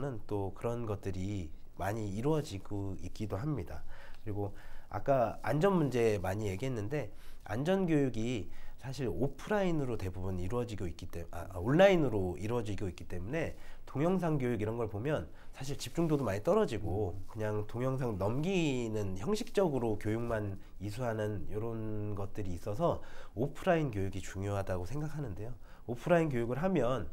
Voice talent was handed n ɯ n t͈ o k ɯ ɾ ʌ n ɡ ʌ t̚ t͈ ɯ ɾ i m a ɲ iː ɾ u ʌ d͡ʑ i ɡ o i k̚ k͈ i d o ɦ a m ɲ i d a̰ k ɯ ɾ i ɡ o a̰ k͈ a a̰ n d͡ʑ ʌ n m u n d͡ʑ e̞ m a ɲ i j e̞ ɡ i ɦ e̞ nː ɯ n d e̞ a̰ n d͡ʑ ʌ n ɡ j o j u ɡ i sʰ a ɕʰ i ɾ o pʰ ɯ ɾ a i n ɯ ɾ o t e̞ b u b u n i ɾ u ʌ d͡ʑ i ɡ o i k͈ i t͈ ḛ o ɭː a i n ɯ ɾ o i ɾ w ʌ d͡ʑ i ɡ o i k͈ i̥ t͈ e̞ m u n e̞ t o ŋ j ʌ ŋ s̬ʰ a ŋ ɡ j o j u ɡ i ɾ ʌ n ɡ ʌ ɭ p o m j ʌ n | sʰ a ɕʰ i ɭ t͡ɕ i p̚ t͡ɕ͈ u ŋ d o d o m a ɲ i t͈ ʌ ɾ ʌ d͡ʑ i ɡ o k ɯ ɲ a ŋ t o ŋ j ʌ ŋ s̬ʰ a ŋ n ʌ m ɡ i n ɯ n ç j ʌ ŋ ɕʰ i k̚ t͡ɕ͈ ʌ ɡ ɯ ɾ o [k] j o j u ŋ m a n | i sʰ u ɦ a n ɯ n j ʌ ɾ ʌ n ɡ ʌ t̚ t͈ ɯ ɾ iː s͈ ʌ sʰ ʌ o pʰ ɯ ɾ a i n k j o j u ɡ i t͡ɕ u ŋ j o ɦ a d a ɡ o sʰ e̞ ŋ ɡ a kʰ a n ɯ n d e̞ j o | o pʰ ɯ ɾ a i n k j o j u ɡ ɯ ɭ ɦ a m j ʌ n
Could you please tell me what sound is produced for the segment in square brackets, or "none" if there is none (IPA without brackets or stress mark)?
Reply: k